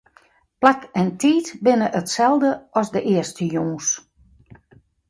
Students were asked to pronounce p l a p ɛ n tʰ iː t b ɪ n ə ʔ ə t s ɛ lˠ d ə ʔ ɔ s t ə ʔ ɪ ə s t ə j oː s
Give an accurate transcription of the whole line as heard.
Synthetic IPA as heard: p l a k ɛ n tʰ iː t b ɪ n ə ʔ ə t s ɛ lˠ d ə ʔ ɔ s d ə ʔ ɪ ə s t ə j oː s